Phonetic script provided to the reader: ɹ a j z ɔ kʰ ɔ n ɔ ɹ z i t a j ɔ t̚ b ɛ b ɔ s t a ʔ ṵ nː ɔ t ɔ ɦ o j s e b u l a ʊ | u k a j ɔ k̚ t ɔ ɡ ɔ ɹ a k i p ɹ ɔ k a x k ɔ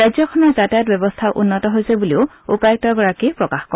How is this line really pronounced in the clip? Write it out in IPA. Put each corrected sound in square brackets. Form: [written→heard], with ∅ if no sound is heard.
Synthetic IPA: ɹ a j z ɔ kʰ ɔ n ɔ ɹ z [i→a] t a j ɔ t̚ b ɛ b ɔ s [t→tʰ] a ʔ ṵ nː ɔ t ɔ ɦ o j s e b u l [a→i] ʊ | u [k→p] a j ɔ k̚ t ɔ ɡ ɔ ɹ a k i p ɹ ɔ k a x k ɔ